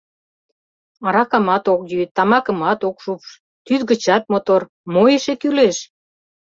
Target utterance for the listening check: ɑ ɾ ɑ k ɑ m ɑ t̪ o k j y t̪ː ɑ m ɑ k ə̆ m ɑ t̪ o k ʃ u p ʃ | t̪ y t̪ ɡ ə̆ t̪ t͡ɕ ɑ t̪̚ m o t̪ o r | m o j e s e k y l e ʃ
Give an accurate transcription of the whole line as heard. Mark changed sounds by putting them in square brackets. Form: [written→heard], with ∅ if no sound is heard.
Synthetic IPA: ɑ ɾ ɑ k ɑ m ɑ t̪ o k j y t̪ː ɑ m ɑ k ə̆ m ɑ t̪ o k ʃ u p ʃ | t̪ y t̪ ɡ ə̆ [t̪→∅] t͡ɕ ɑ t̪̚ m o t̪ o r | m o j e [s→ʃ] e k y l e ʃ